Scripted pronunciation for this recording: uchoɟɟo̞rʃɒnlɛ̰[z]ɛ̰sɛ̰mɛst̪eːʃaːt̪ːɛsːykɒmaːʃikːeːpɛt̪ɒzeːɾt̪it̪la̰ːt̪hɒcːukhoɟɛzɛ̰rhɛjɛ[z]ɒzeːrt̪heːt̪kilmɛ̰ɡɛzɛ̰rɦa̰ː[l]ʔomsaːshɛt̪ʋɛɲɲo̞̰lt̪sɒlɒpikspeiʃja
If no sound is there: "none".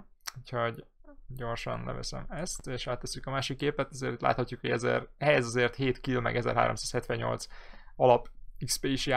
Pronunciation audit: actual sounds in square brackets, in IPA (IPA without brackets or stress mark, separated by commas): v, z, ɾ